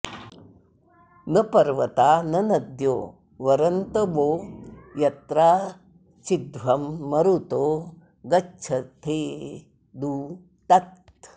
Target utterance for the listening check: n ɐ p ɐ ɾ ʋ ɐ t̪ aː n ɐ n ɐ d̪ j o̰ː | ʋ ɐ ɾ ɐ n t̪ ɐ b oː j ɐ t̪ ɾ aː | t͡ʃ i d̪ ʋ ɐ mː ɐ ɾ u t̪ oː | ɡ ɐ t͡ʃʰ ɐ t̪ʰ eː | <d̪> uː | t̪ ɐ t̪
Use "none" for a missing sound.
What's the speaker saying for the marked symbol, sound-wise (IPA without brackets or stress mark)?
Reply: d̪